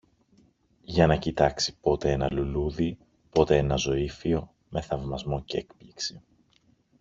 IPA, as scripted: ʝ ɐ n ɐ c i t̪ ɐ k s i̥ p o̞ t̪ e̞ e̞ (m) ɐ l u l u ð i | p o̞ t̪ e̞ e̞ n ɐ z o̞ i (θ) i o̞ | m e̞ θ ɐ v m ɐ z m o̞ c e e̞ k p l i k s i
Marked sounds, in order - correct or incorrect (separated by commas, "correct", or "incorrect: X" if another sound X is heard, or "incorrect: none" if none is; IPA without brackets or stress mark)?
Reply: incorrect: n, incorrect: f